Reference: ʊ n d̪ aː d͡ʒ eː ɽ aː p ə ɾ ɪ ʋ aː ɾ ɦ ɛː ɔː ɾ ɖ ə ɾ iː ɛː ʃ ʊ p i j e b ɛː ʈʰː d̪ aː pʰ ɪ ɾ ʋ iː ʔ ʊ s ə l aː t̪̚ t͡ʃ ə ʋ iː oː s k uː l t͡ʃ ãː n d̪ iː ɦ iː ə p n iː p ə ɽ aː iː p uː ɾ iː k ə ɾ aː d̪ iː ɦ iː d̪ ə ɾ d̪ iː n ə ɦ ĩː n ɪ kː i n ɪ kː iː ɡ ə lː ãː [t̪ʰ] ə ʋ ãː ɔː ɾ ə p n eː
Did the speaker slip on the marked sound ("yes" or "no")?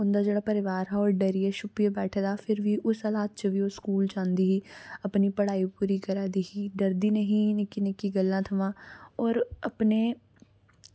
no